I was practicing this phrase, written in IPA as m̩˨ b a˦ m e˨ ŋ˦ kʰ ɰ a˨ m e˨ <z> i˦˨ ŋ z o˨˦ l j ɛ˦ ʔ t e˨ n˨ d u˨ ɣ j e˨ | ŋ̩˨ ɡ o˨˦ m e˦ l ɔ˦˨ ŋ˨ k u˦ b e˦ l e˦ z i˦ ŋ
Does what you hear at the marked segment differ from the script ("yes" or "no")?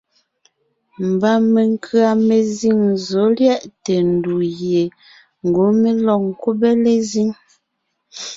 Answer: no